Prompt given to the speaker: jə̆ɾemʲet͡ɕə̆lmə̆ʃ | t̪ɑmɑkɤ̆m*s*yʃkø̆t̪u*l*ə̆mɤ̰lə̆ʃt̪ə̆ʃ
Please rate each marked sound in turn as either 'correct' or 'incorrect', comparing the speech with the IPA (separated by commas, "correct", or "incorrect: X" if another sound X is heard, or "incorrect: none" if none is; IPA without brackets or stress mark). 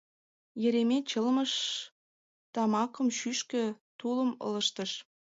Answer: incorrect: ʃ, correct